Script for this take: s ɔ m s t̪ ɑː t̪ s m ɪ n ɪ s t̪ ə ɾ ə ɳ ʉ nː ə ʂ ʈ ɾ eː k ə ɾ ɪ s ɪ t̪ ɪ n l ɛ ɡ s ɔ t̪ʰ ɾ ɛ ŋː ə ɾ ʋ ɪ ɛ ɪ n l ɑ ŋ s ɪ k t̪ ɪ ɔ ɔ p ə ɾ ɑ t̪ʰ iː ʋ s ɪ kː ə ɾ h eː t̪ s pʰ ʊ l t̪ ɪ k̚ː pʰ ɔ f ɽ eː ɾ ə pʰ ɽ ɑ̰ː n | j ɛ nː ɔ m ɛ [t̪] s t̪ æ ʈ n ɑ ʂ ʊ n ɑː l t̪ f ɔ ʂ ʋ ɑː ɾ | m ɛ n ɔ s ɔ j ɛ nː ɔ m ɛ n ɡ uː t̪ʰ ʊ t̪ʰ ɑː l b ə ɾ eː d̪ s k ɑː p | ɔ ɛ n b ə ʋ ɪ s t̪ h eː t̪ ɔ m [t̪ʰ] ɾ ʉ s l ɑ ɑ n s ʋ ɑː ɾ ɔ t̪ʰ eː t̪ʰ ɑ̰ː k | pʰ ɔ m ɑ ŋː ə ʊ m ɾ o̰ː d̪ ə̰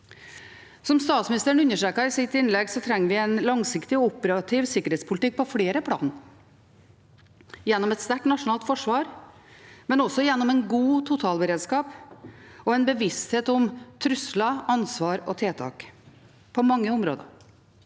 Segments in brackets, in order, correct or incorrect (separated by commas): correct, correct